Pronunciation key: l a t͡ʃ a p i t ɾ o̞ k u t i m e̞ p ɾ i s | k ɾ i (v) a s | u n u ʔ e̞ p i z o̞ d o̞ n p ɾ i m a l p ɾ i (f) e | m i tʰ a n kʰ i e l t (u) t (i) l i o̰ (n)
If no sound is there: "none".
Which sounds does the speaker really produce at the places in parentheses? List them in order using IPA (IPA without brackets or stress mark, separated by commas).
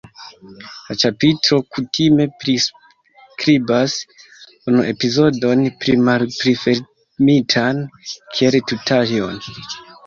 b, f, u, a, n